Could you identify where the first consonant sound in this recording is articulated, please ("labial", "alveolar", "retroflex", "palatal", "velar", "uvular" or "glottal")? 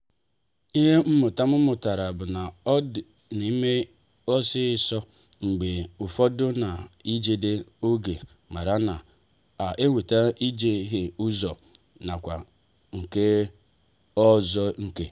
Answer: glottal